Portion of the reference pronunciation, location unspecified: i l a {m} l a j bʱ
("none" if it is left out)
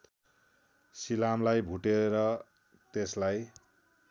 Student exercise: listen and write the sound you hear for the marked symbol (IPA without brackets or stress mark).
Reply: m